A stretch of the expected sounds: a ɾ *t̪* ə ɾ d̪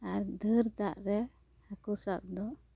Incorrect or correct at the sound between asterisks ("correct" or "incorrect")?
incorrect